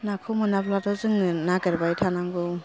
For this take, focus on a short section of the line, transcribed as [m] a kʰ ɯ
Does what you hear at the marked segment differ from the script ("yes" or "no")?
yes